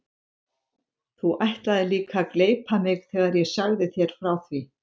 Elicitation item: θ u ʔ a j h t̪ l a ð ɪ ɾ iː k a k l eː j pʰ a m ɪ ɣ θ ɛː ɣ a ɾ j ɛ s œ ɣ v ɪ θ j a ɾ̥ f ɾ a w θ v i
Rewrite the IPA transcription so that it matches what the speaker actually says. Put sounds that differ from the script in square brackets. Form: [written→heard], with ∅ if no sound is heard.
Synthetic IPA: θ u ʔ a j h t̪ l a ð ɪ [ɾ→l] iː k a k l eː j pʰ a m ɪ ɣ θ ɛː ɣ a ɾ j ɛ s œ ɣ [v→ð] ɪ θ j [a→ɛ] ɾ̥ f ɾ a w θ v i